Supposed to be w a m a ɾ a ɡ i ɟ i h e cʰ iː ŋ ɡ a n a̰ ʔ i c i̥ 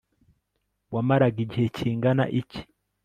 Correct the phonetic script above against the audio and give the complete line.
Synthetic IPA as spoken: w a m a ɾ a ɡ i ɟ i h e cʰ iː ŋ ɡ a n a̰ ʔ i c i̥